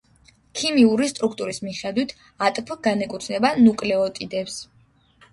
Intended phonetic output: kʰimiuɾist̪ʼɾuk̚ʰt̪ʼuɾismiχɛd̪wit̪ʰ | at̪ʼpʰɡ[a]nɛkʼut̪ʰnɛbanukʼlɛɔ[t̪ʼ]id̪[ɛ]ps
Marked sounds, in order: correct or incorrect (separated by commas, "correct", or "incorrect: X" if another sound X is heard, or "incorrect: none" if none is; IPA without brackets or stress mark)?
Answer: correct, correct, correct